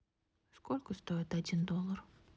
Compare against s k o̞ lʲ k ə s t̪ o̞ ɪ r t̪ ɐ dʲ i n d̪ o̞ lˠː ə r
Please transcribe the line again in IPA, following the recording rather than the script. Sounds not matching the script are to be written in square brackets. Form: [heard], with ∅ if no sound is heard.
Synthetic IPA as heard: s k o̞ lʲ k ə s t̪ o̞ ɪ [∅] t̪ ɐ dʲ i n d̪ o̞ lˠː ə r